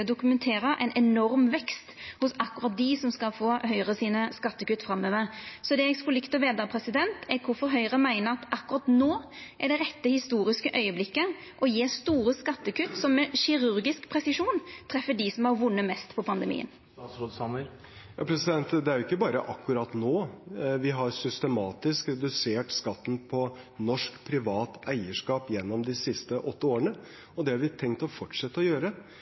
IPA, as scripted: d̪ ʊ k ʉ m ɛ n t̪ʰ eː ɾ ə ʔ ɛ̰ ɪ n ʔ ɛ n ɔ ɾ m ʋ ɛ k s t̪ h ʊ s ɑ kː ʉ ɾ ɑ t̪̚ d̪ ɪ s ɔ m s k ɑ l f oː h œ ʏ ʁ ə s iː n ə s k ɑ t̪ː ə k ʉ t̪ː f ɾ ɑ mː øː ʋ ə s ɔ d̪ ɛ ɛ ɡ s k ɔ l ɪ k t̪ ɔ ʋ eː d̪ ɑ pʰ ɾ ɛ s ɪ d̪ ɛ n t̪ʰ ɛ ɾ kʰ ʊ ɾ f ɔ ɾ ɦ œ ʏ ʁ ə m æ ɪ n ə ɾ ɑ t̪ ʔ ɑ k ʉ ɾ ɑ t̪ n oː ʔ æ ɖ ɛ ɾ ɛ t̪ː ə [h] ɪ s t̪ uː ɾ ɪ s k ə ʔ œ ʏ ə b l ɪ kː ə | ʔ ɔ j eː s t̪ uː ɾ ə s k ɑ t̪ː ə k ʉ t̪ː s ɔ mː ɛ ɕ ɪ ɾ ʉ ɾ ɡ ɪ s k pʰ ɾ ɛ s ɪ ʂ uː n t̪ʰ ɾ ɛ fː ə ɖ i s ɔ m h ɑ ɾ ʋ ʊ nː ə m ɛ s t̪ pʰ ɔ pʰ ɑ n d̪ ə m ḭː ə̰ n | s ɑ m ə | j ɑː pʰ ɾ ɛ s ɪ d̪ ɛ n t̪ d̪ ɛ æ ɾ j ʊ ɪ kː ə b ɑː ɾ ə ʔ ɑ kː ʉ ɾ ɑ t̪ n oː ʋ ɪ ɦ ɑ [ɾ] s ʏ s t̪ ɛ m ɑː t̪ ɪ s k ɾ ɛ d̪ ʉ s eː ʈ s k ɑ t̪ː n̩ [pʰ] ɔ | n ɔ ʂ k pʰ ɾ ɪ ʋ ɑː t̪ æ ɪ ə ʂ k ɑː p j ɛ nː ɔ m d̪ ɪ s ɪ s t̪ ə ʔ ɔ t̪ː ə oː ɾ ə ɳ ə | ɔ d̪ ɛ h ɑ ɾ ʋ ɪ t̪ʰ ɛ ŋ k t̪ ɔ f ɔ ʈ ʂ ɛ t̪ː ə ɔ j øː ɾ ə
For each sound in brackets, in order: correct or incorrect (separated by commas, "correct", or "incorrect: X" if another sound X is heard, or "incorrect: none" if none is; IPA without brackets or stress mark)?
correct, correct, correct